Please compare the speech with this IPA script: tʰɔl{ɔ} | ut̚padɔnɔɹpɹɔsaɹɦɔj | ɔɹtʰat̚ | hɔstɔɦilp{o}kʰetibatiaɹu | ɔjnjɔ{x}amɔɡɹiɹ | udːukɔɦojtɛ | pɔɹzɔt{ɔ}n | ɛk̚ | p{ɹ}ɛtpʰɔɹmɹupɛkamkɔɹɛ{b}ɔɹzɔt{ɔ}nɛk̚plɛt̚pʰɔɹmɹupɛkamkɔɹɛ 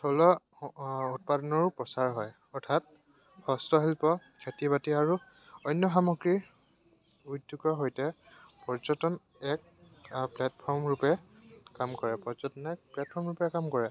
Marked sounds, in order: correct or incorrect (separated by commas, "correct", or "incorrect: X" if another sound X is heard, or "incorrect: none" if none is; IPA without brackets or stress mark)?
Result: correct, incorrect: ɔ, correct, correct, incorrect: l, incorrect: p, correct